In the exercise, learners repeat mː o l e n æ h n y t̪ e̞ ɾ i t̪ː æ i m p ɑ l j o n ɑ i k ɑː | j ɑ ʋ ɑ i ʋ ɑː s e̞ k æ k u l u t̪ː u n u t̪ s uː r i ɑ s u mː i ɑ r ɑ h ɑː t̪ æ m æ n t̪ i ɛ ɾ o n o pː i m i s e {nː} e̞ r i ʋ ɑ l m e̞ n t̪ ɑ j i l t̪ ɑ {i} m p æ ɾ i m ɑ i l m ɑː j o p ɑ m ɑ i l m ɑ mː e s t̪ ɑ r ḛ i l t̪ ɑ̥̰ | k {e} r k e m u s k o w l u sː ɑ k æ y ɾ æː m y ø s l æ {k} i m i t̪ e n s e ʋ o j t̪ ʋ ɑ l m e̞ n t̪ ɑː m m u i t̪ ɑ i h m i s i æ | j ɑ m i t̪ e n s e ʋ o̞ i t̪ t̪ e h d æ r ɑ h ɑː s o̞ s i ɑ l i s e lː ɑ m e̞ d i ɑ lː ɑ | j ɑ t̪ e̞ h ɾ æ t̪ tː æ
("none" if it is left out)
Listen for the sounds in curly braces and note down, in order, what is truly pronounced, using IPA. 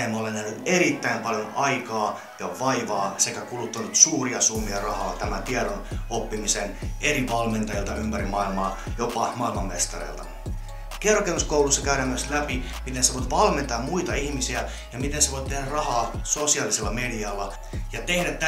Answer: n, y, e, p

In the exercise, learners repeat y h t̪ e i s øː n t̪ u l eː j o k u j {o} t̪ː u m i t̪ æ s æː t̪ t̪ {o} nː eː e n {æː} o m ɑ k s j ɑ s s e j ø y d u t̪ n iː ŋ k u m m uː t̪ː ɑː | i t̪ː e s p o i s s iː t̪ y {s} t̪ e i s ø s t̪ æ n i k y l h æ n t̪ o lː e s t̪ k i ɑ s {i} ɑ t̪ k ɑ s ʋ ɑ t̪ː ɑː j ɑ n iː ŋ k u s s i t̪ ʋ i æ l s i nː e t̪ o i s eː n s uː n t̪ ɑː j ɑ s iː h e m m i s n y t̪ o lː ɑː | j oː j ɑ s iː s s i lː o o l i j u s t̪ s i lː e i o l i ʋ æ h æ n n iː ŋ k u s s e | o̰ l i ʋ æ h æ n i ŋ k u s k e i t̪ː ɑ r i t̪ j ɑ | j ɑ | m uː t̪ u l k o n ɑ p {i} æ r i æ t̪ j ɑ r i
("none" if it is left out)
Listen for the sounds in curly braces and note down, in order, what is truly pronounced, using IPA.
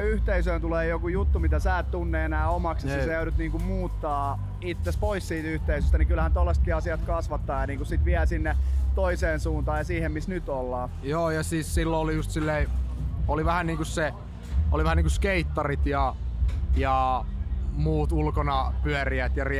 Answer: u, u, æː, h, i, y

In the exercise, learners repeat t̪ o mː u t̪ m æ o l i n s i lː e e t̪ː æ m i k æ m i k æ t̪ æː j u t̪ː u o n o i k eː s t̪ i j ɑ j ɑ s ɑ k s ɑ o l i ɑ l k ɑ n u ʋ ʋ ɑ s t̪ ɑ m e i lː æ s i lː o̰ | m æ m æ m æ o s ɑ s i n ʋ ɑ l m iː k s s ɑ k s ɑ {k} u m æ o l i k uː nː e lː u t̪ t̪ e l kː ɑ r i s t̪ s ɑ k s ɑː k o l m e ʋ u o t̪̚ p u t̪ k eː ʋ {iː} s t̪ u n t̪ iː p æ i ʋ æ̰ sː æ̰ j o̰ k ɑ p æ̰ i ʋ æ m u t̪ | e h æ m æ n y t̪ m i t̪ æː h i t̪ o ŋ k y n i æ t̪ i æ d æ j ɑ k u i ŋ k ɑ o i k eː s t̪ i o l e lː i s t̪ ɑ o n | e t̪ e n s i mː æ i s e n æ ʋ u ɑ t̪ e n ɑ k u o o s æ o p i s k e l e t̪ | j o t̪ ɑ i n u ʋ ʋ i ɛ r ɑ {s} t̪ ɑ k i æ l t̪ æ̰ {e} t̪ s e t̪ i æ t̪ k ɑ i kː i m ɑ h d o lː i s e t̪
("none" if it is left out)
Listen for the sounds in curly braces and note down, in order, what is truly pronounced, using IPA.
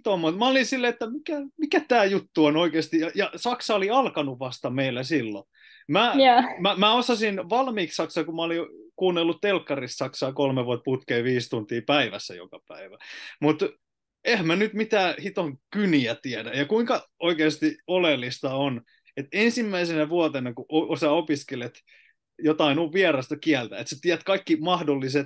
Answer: k, iː, s, e

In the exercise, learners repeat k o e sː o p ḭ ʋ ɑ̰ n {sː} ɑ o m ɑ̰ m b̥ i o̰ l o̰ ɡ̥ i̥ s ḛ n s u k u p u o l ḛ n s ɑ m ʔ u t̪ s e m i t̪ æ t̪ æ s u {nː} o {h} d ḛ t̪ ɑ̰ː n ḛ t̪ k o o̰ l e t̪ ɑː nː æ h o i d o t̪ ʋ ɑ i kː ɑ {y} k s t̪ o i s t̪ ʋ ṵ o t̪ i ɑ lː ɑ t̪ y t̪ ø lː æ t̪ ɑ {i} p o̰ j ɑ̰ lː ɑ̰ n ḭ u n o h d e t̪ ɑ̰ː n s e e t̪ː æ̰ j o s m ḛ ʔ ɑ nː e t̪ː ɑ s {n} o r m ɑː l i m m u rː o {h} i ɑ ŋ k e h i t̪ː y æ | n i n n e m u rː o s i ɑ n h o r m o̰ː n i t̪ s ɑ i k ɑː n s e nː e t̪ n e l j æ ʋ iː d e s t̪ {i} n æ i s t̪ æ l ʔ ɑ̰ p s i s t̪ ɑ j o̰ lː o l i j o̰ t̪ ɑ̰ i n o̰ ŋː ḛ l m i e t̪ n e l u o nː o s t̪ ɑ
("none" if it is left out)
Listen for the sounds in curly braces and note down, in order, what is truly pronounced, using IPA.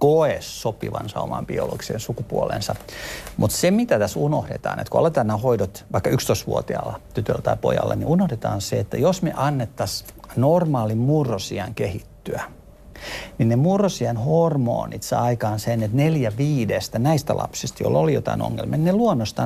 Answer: s, n, h, y, i, n, s, æ

